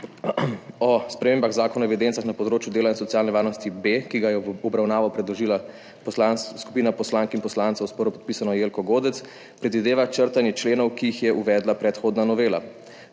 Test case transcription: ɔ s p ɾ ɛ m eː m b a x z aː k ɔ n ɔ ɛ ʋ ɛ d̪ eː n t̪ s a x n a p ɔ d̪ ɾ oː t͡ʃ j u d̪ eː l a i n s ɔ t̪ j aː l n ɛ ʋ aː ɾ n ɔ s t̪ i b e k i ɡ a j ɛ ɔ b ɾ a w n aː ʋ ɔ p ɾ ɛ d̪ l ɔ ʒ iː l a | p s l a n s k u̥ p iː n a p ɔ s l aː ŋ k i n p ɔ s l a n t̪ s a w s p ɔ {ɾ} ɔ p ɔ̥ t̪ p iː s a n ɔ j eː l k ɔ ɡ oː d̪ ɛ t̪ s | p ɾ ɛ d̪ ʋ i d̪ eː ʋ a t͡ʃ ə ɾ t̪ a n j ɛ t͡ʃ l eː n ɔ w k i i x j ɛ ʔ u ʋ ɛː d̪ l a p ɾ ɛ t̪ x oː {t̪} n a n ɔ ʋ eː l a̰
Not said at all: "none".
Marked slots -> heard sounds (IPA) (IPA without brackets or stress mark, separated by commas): ɾ, d̪